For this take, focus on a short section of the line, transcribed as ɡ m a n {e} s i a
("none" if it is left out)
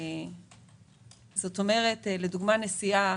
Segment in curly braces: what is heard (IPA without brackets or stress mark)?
e